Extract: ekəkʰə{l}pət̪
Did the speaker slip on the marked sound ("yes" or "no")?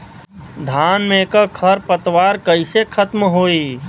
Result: yes